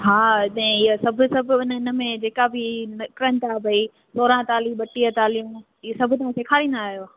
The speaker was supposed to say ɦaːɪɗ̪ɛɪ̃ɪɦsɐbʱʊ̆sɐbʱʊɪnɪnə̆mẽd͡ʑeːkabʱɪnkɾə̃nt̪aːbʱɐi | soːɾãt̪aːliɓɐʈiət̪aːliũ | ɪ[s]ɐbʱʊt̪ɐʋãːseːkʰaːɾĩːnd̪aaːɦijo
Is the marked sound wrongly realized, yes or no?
no